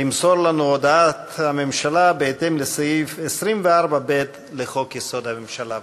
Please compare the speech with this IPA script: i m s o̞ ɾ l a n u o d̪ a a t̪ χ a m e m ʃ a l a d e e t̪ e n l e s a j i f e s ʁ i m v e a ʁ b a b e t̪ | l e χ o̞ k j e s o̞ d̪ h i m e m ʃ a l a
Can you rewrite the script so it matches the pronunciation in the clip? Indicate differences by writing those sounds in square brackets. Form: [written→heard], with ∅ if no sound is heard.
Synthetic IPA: i m s o̞ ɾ l a n u o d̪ a a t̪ [χ→h] a m e m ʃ a l a [d→b] e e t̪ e [n→m] l e s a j i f e s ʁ i m v e a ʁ b a b e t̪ | l e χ o̞ k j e s o̞ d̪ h [i→a] m e m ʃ a l a